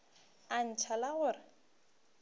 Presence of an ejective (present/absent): absent